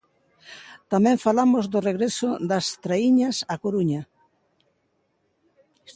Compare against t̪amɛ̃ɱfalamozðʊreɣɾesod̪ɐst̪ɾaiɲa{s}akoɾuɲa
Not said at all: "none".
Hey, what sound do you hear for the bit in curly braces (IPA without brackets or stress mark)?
s